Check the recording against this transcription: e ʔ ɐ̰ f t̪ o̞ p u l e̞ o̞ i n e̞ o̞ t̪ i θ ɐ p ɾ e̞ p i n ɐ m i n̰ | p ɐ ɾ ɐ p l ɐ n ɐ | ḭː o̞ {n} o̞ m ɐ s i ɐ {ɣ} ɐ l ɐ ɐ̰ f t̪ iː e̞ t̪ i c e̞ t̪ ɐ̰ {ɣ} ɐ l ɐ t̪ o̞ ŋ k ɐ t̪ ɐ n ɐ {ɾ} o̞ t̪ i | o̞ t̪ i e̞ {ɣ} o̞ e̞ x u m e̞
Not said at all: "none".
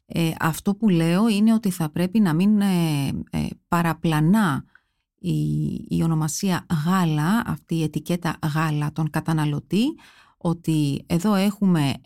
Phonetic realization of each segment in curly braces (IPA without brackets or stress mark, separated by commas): n, ɣ, ɣ, l, ð